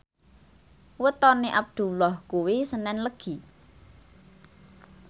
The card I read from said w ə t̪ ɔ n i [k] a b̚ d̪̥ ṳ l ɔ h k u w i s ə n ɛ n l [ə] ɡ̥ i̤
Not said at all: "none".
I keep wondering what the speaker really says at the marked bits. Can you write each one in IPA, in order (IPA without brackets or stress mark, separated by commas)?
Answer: ʔ, ə